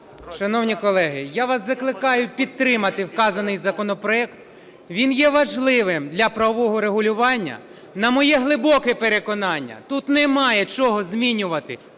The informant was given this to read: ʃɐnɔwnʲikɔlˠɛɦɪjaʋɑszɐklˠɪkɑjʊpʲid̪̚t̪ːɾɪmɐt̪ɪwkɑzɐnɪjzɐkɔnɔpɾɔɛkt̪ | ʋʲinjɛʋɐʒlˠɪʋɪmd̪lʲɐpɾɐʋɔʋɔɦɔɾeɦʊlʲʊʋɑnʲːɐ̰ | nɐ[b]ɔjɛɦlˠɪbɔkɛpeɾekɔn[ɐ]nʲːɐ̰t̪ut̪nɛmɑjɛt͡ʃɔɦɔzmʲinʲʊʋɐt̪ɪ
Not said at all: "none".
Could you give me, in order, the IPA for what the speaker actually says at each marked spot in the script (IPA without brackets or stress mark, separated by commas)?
m, ɑ